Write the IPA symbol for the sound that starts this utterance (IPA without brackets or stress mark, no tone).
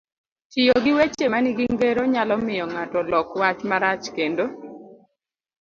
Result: t͡ʃ